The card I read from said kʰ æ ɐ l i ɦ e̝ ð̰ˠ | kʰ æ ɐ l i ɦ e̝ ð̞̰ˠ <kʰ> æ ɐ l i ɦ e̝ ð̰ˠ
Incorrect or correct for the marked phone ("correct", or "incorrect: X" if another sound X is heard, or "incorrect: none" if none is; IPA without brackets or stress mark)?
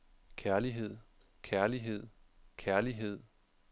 correct